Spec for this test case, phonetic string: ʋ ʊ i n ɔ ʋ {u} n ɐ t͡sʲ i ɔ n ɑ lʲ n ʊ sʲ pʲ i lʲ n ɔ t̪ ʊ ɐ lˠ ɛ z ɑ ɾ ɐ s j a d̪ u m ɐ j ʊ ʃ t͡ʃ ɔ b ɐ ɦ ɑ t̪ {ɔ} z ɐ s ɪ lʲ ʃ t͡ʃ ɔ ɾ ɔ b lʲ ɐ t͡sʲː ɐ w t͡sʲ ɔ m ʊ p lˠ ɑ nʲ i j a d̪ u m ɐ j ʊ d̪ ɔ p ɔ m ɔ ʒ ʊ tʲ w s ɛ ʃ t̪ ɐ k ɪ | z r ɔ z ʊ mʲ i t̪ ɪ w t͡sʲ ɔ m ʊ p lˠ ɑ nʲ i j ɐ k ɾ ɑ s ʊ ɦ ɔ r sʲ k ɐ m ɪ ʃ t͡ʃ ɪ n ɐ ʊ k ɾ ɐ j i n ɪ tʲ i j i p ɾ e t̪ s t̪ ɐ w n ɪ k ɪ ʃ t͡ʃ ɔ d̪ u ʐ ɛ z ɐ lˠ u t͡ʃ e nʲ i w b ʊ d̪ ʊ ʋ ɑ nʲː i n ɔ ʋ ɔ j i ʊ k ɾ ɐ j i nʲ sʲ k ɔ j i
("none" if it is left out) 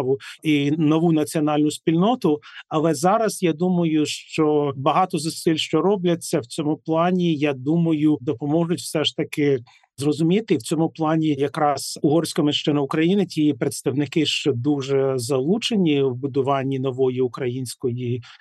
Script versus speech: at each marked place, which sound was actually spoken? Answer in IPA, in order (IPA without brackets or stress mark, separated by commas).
u, ɔ